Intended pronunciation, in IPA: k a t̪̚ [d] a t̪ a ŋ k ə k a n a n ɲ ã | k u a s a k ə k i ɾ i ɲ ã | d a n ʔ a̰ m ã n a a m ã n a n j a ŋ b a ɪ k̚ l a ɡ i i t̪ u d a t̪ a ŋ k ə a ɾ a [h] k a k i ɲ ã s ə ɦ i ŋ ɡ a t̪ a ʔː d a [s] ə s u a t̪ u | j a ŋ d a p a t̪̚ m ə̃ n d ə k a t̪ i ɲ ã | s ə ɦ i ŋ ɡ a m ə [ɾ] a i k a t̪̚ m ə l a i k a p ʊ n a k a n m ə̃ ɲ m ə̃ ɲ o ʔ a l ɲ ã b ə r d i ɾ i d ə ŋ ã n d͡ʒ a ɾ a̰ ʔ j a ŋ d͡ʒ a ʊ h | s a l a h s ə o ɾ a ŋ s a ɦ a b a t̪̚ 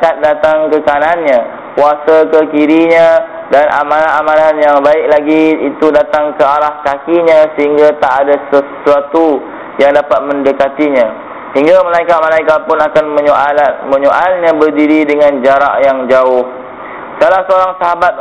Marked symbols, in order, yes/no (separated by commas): yes, yes, yes, no